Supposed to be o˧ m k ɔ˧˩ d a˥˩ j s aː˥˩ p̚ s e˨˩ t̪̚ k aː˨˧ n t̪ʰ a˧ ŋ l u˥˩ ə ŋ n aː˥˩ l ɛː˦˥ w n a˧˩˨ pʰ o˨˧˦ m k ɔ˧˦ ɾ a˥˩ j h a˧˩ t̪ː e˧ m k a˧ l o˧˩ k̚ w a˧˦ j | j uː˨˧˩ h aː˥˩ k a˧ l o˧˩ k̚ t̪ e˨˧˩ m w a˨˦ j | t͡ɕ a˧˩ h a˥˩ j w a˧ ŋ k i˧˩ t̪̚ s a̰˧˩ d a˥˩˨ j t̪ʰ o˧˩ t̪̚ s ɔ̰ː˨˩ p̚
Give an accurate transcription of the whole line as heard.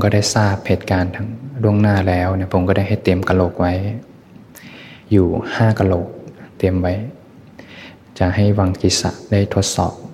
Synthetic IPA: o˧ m k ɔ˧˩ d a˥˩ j s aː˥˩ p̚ h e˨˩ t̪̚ k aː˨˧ n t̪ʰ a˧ ŋ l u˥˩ ə ŋ n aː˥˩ l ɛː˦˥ w n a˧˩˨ pʰ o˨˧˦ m k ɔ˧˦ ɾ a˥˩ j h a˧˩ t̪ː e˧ m k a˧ l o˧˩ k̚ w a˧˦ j | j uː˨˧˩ h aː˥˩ k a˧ l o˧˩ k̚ t̪ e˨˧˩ m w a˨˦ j | t͡ɕ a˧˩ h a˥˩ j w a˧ ŋ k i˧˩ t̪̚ s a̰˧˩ d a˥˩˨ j t̪ʰ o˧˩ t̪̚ s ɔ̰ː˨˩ p̚